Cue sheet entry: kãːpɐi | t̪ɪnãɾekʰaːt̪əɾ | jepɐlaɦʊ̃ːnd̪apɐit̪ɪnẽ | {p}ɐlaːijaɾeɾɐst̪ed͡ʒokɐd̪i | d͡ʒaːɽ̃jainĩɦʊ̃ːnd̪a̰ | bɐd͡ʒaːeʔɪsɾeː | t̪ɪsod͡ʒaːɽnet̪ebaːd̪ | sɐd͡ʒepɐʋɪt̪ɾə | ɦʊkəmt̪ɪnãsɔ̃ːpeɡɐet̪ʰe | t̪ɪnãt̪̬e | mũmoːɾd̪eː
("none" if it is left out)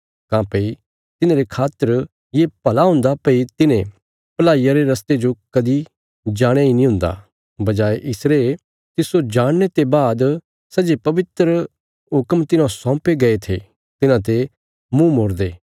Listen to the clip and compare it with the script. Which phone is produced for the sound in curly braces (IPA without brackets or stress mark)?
p